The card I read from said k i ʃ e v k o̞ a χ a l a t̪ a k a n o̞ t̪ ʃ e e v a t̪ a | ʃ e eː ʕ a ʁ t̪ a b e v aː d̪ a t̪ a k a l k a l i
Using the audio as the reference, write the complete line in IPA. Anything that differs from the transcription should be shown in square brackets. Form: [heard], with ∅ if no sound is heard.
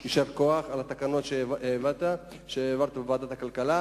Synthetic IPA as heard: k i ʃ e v k o̞ a χ a l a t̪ a k a n o̞ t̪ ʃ e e v a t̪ a | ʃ e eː [v] a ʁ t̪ a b e v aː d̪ a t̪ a k a l k a l [a]